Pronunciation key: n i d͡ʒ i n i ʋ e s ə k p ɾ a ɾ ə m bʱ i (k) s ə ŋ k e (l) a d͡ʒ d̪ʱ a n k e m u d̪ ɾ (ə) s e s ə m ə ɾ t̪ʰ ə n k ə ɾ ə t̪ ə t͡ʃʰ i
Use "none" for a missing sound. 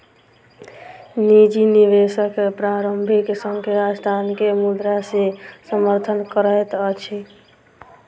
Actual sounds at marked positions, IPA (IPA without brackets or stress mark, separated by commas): k, ɾ, a